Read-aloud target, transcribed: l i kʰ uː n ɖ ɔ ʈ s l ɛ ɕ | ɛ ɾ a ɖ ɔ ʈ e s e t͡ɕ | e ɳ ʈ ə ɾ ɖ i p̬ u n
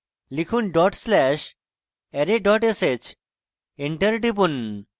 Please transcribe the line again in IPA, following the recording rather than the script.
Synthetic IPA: l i kʰ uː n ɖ ɔ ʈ s l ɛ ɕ | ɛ ɾ e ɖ ɔ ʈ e s e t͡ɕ | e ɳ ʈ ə ɾ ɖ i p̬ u n